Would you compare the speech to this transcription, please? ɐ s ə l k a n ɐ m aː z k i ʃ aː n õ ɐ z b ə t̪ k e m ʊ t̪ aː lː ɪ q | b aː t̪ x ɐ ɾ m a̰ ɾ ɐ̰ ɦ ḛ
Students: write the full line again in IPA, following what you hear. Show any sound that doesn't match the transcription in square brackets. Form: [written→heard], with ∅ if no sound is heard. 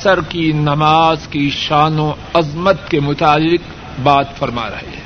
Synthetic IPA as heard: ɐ s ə [l→ɾ] k [a→i] n ɐ m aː z k i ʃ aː n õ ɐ z [b→m] ə t̪ k e m ʊ t̪ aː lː ɪ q | b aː t̪ [x→f] ɐ ɾ m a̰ ɾ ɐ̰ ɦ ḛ